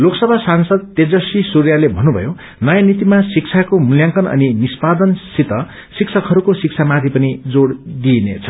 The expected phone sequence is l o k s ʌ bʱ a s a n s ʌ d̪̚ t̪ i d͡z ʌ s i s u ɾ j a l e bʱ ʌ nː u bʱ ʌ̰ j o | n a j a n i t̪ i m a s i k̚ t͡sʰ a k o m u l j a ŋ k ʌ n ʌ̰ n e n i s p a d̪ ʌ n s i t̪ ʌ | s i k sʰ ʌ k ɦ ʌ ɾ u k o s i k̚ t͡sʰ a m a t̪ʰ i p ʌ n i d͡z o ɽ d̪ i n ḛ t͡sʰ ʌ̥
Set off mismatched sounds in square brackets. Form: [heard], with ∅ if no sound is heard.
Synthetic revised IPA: l o k s ʌ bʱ a s a n s ʌ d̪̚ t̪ [e] d͡z ʌ s i s u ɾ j a l e bʱ ʌ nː u bʱ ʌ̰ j o | n [ʌ] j a n i t̪ i m a s i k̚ t͡sʰ a k o m u l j a ŋ k ʌ n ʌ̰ n [i] n i s p a d̪ ʌ n s i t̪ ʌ | s i k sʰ ʌ k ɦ ʌ ɾ u k o s i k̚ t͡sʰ a m a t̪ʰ i p ʌ n i d͡z o ɽ d̪ i n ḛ t͡sʰ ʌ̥